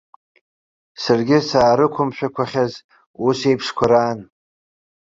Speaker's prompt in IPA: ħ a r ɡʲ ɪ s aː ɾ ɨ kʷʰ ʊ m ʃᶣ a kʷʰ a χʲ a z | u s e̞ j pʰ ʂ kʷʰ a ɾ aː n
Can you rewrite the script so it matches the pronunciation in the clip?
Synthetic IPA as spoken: s a r ɡʲ ɪ s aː ɾ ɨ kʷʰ ʊ m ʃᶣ a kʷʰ a χʲ a z | u s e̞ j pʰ ʂ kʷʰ a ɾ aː n